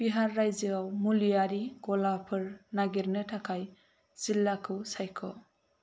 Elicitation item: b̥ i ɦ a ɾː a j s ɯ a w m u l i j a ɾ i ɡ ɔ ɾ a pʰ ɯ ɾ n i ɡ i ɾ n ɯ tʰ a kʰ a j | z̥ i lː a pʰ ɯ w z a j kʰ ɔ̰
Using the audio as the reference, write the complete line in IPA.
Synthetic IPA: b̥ i ɦ a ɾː a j z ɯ a w m u l i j a ɾ i ɡ ɔ l a pʰ ɯ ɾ n a ɡ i ɾ n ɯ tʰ a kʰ a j | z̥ i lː a kʰ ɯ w s a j kʰ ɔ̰